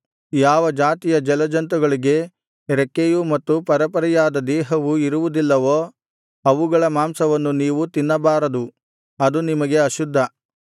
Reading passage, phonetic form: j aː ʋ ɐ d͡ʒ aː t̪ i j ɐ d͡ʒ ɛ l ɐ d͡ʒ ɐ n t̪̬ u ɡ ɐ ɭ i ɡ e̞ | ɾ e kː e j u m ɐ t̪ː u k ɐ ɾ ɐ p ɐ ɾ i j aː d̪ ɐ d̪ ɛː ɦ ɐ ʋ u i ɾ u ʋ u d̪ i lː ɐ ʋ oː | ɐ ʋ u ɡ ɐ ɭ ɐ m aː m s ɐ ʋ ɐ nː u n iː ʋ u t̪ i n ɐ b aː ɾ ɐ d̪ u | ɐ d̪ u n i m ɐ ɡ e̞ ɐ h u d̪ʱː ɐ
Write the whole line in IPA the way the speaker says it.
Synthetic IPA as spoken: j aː ʋ ɐ d͡ʒ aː t̪ i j ɐ d͡ʒ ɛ l ɐ d͡ʒ ɐ n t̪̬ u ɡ ɐ ɭ i ɡ e̞ | ɾ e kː e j u m ɐ t̪ː u p ɐ ɾ ɐ p ɐ ɾ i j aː d̪ ɐ d̪ ɛː ɦ ɐ ʋ u i ɾ u ʋ u d̪ i lː ɐ ʋ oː | ɐ ʋ u ɡ ɐ ɭ ɐ m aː m s ɐ ʋ ɐ nː u n iː ʋ u t̪ i nː ɐ b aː ɾ ɐ d̪ u | ɐ d̪ u n i m ɐ ɡ e̞ ɐ ʃ u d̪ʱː ɐ